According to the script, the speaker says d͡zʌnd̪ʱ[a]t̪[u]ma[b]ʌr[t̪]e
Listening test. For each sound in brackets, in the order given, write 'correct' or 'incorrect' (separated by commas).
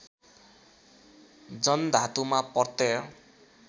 correct, correct, incorrect, correct